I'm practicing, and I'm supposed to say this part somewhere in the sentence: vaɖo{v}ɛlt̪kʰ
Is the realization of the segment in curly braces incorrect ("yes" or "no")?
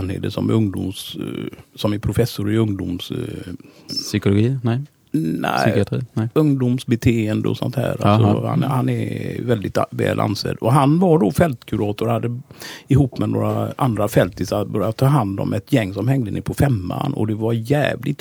yes